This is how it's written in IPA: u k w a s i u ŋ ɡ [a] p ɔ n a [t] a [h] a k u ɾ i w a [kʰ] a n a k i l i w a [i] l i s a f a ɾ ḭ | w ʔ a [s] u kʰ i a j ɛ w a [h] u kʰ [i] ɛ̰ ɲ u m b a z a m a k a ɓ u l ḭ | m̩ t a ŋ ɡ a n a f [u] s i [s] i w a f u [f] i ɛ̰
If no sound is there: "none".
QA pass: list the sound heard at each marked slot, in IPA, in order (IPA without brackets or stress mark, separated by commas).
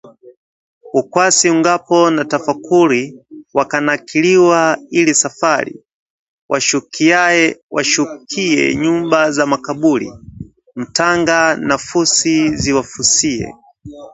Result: a, t, f, k, i, ʃ, ʃ, i, u, z, s